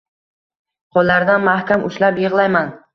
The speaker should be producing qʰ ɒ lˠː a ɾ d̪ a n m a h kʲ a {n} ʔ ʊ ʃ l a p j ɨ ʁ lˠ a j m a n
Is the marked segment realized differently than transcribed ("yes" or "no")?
yes